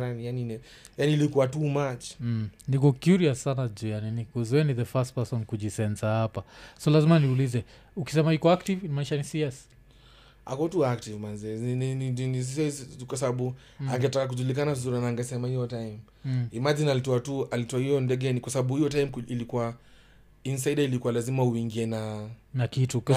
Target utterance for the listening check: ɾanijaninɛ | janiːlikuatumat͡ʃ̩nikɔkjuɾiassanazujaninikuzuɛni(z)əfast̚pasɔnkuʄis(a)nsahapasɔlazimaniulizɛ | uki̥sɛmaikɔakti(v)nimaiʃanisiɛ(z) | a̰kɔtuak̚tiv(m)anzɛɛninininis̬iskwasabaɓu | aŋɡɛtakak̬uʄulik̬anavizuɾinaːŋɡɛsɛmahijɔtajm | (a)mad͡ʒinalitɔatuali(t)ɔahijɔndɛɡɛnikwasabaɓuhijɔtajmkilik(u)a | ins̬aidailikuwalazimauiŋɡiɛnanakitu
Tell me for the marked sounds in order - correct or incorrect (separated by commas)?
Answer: incorrect, incorrect, correct, incorrect, correct, incorrect, correct, correct